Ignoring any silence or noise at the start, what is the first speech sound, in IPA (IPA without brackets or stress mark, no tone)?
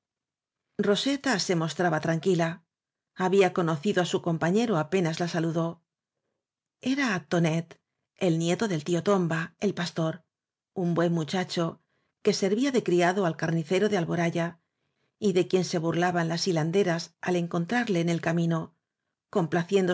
r